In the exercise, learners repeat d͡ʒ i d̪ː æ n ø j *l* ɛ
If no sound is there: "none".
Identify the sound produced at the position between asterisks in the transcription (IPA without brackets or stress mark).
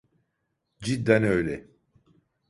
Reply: l